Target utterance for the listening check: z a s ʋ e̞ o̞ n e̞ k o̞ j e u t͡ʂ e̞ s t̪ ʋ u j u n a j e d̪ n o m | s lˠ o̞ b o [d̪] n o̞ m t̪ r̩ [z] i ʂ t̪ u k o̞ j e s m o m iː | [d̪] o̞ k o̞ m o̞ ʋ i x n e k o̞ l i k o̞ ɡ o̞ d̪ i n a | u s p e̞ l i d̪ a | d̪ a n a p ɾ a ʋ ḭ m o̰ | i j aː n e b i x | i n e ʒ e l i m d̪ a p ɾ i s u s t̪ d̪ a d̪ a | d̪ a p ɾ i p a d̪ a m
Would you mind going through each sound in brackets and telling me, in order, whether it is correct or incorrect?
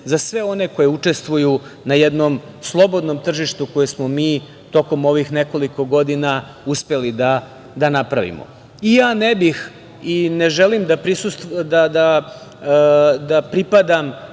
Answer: correct, incorrect: ʒ, incorrect: t̪

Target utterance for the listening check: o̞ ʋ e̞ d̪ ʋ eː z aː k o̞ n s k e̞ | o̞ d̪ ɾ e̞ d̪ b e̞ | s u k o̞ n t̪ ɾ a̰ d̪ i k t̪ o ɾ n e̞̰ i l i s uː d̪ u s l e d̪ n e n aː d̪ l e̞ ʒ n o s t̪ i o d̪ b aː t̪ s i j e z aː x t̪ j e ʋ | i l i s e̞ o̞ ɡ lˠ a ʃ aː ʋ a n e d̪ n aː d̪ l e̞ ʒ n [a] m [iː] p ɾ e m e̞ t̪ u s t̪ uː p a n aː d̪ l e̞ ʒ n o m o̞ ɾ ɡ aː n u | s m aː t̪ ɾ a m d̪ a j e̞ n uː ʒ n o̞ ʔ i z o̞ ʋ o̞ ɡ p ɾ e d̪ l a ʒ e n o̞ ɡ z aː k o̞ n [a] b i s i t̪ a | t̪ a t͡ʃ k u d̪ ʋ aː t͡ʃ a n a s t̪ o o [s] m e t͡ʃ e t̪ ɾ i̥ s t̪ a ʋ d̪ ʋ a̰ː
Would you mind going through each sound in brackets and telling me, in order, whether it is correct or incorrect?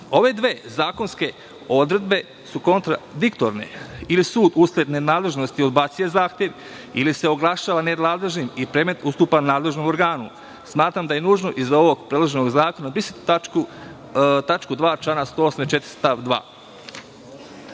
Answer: incorrect: i, incorrect: i, correct, correct

